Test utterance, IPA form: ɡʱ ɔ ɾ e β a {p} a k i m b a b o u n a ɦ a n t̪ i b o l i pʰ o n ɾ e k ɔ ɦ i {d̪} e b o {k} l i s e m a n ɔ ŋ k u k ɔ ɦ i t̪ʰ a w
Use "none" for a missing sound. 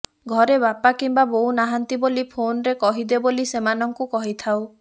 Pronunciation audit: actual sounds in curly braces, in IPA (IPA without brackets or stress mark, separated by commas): p, d̪, none